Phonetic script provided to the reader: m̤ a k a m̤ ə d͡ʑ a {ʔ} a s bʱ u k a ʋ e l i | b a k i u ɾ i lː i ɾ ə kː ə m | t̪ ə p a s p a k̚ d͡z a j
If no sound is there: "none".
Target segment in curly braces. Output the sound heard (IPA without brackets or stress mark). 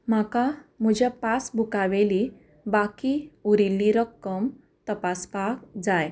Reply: p